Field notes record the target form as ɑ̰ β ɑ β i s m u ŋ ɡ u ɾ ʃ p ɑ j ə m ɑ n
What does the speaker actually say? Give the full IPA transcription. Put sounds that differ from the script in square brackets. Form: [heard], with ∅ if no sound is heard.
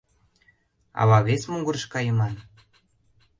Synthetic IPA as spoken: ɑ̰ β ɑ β [e] s m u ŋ ɡ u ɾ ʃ [k] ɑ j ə m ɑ n